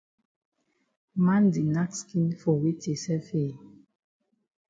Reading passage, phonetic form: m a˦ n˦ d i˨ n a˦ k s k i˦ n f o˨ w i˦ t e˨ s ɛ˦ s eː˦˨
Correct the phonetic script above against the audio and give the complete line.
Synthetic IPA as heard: m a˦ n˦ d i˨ n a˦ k s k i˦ n f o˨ w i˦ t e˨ s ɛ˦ f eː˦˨